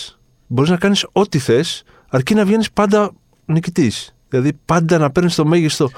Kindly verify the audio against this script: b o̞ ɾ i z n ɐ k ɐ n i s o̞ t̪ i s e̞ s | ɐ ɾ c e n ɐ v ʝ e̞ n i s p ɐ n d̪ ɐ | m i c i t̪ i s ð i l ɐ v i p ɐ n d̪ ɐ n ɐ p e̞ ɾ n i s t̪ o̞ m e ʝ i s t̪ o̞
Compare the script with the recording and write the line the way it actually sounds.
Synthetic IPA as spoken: b o̞ ɾ i z n ɐ k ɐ n i s o̞ t̪ i θ e̞ s | ɐ ɾ c i n ɐ v ʝ e̞ n i s p ɐ n d̪ ɐ | n i c i t̪ i s ð i l ɐ ð i p ɐ n d̪ ɐ n ɐ p e̞ ɾ n i s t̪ o̞ m e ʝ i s t̪ o̞